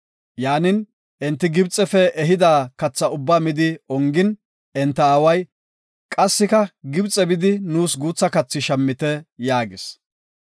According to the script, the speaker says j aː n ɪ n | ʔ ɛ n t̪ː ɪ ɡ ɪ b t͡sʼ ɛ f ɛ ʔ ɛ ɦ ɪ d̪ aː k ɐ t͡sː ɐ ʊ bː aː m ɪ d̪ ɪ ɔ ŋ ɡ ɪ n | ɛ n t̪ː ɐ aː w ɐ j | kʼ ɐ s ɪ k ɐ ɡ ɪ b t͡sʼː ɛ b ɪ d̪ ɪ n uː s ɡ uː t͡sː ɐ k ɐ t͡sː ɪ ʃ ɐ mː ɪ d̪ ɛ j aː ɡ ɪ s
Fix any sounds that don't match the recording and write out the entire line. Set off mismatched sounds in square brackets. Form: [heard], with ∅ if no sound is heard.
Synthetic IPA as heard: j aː n ɪ n | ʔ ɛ n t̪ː ɪ ɡ ɪ b t͡sʼ ɛ f ɛ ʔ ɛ ɦ ɪ d̪ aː k ɐ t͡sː ɐ ʊ bː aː m ɪ d̪ ɪ ɔ ŋ ɡ ɪ n | ɛ n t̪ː ɐ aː w ɐ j | kʼ ɐ [sː] ɪ k ɐ ɡ ɪ b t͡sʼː ɛ b ɪ d̪ ɪ n uː s ɡ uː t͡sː ɐ k ɐ t͡sː ɪ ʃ ɐ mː ɪ [t̪] ɛ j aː ɡ ɪ s